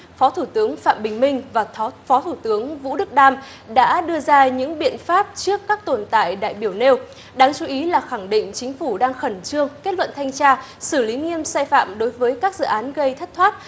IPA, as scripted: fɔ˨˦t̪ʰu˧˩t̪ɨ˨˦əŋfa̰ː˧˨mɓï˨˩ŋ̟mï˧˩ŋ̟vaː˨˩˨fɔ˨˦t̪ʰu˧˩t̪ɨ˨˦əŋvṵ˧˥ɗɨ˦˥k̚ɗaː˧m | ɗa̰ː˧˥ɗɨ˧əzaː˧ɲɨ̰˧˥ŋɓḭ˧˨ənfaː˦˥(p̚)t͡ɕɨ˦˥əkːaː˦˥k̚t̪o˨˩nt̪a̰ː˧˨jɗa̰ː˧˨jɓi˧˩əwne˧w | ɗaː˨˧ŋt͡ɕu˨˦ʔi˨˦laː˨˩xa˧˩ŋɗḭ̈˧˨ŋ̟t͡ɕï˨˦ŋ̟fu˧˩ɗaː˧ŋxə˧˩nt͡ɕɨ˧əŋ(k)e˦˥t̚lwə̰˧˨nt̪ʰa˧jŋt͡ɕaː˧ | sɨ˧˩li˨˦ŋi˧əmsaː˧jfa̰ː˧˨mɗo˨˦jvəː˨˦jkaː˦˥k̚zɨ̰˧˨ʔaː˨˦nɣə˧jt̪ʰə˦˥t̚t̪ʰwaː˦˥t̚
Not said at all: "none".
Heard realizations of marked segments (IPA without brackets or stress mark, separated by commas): p̚, k